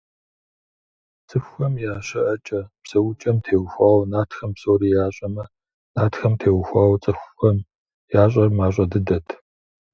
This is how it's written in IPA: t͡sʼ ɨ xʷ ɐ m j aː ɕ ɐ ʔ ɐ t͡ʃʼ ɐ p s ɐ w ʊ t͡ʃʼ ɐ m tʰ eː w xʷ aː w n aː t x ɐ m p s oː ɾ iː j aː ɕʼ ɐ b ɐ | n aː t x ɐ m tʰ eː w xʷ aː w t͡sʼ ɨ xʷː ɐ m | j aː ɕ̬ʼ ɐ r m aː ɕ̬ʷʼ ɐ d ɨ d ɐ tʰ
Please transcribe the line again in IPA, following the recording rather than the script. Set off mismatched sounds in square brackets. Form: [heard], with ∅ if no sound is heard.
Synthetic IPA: t͡sʼ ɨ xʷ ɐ m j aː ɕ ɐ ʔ ɐ t͡ʃʼ ɐ p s ɐ w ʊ t͡ʃʼ ɐ m tʰ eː w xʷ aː w n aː t x ɐ m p s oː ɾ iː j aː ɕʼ ɐ [m] ɐ | n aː t x ɐ m tʰ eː w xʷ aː w t͡sʼ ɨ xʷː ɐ m | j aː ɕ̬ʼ ɐ r m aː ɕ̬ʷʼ ɐ d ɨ d ɐ tʰ